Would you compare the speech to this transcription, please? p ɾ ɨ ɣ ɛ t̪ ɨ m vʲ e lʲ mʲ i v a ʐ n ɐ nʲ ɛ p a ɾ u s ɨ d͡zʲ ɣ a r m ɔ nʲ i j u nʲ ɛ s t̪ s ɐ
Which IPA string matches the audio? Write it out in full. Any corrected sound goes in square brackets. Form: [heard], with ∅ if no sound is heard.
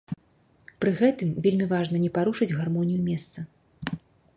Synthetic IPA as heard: p ɾ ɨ ɣ ɛ t̪ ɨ m vʲ e lʲ mʲ i v a ʐ n ɐ nʲ ɛ p a ɾ u [ʂ] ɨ d͡zʲ ɣ a r m ɔ nʲ i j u [mʲ] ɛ s t̪ s ɐ